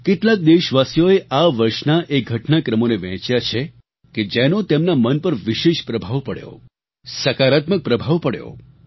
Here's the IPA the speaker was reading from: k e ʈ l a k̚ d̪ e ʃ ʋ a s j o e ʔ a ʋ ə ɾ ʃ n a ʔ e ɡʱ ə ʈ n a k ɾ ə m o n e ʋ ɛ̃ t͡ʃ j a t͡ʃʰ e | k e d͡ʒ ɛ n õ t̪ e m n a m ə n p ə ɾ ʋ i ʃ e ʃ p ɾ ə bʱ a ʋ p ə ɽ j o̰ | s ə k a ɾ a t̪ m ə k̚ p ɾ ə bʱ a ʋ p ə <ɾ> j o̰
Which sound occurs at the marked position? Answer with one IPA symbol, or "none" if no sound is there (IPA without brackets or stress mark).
ɽ